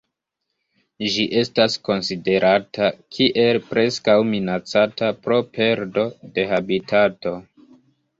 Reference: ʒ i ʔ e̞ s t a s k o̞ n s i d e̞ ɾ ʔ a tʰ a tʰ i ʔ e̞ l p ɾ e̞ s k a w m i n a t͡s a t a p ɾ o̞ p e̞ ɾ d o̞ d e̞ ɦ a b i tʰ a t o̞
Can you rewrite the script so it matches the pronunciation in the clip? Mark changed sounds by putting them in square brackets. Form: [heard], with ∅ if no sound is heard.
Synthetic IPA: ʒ i ʔ e̞ s t a s k o̞ n s i d e̞ ɾ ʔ a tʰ a [kʰ] i ʔ e̞ l p ɾ e̞ s k a w m i n a t͡s a t a p ɾ o̞ p e̞ ɾ d o̞ d e̞ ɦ a b i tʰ a t o̞